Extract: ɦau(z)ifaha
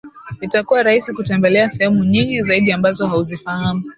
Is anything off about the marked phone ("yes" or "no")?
no